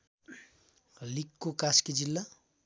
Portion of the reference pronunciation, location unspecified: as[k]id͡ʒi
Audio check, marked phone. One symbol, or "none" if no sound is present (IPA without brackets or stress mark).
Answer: k